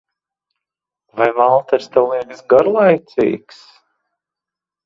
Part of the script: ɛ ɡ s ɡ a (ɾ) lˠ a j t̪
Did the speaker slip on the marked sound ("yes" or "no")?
no